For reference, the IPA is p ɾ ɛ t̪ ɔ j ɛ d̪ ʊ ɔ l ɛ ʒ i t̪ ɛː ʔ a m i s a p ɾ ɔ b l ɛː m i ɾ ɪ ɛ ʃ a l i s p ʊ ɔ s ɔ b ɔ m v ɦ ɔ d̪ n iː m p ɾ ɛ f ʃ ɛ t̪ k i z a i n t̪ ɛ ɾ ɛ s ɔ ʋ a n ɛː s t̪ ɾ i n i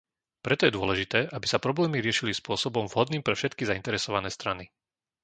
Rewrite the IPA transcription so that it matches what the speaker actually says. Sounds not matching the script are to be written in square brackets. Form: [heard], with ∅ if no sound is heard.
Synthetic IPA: p ɾ ɛ t̪ ɔ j ɛ d̪ ʊ ɔ l ɛ ʒ i t̪ ɛː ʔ a [b] i s a p ɾ ɔ b l ɛː m i ɾ ɪ ɛ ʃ [i] l i s p ʊ ɔ s ɔ b ɔ m v ɦ ɔ d̪ n iː m p ɾ ɛ f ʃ ɛ t̪ k i z a i n t̪ ɛ ɾ ɛ s ɔ ʋ a n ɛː s t̪ ɾ [a] n i